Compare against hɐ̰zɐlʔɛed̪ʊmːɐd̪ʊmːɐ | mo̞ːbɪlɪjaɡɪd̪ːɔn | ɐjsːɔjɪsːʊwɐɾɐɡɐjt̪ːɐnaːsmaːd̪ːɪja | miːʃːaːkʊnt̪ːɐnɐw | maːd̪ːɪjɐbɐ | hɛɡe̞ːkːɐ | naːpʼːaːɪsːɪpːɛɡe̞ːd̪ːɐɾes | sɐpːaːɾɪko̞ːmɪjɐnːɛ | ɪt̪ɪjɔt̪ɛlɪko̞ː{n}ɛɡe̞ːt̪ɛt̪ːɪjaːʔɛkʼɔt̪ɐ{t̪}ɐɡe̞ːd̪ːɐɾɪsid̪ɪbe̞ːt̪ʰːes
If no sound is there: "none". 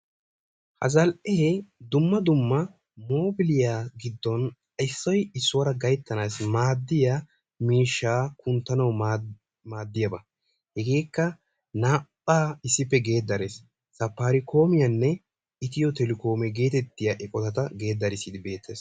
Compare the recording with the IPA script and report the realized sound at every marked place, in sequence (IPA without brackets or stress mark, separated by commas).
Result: m, t̪